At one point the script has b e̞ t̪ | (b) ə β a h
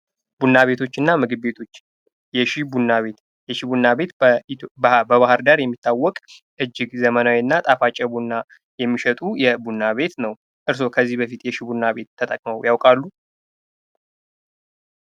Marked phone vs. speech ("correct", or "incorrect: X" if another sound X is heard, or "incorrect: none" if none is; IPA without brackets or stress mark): correct